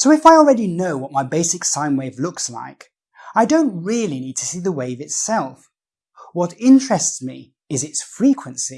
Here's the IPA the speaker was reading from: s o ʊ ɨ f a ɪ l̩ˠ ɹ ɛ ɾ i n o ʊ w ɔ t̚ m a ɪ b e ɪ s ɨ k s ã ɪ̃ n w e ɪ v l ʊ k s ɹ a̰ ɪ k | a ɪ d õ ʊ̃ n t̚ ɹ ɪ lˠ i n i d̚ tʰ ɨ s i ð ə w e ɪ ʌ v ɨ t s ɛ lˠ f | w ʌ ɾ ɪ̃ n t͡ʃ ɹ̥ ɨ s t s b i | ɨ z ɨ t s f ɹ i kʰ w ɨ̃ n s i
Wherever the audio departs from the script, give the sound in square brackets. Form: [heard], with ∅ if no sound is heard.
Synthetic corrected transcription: s o ʊ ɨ f a ɪ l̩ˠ ɹ ɛ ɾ i n o ʊ w [ʌ] t̚ m a ɪ b e ɪ s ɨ k s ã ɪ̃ n w e ɪ v l ʊ k s [l] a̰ ɪ k | a ɪ d õ ʊ̃ n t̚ ɹ ɪ lˠ i n i d̚ tʰ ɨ s i ð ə w e ɪ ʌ v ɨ t s ɛ lˠ f | w ʌ ɾ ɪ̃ n t͡ʃ ɹ̥ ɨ s t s [m] i | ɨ z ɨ t s f ɹ i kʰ w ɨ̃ n s i